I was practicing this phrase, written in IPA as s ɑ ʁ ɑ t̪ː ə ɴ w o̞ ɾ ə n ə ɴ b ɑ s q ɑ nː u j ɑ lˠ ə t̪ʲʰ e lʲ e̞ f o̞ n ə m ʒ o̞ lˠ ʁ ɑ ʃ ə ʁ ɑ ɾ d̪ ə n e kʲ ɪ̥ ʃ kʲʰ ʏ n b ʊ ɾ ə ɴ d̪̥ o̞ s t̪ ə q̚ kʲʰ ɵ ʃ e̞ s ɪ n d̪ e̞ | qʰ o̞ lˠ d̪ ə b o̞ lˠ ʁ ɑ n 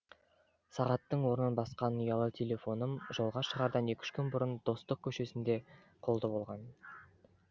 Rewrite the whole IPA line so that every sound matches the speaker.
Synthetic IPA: s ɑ ʁ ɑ t̪ː ə ɴ w o̞ ɾ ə n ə n b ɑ s q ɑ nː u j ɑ lˠ ə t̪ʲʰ e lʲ e̞ f o̞ n ə m ʒ o̞ lˠ ʁ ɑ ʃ ə ʁ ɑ ɾ d̪ ɑ n e kʲ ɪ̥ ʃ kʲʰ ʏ n b ʊ ɾ ə n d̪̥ o̞ s t̪ ə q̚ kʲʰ ɵ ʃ e̞ s ɪ n d̪ e̞ | qʰ o̞ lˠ d̪ ə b o̞ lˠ ʁ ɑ n